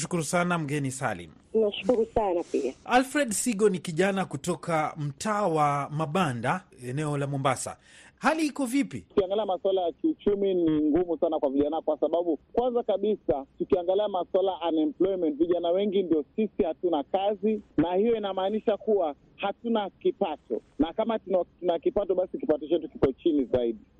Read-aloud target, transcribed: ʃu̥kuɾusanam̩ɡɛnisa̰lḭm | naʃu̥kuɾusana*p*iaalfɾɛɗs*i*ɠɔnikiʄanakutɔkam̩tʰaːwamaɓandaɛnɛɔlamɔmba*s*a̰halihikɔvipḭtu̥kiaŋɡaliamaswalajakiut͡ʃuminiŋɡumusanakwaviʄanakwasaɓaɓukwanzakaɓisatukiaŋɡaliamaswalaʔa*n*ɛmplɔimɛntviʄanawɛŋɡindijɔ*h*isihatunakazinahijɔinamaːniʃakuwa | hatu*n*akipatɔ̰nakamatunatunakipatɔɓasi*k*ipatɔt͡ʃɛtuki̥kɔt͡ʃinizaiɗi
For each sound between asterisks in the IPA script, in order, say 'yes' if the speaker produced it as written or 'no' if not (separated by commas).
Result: yes, yes, yes, yes, no, yes, yes